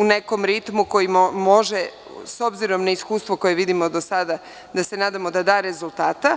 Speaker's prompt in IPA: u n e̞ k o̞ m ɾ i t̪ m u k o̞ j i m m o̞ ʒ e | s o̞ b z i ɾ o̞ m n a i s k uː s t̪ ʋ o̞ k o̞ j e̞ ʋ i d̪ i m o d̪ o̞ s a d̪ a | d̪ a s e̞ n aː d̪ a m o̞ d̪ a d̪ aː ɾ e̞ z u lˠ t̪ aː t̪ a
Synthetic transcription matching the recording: u n e̞ k o̞ m ɾ i t̪ m u k o̞ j i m m o̞ ʒ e | s o̞ b z i ɾ o̞ m n a i s k uː s t̪ ʋ o̞ k o̞ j e̞ ʋ i d̪ i m o d̪ o̞ s a d̪ a | d̪ a s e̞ n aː d̪ a m o̞ d̪ a d̪ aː ɾ e̞ z u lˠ t̪ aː t̪ a